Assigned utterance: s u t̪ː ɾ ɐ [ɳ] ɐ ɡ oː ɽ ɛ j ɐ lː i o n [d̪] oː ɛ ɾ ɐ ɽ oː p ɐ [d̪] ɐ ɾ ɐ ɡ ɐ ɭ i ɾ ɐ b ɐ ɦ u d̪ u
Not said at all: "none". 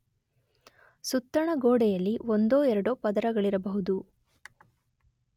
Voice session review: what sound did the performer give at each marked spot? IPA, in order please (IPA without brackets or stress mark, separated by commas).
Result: ɳ, d̪, d̪